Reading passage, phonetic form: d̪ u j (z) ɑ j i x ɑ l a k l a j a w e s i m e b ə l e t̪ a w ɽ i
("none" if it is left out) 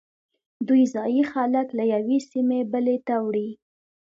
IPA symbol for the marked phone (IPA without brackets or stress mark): z